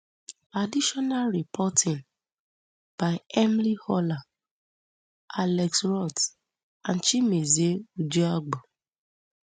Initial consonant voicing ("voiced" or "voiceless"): voiced